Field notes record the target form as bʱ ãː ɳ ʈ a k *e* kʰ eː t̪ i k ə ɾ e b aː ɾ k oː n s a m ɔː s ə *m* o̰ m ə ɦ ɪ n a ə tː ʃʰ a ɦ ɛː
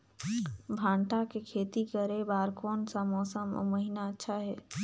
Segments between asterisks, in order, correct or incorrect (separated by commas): correct, correct